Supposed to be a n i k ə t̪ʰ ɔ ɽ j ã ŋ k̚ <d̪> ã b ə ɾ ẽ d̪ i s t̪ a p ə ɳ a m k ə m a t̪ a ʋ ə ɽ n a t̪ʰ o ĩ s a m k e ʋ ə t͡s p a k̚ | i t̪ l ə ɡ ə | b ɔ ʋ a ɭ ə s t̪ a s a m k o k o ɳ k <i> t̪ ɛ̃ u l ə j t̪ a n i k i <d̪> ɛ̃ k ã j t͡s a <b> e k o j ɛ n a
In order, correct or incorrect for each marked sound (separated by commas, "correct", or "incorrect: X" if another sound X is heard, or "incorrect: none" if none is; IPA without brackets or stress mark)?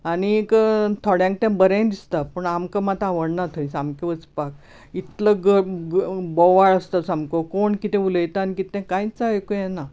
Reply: incorrect: t̪, correct, incorrect: t̪, incorrect: none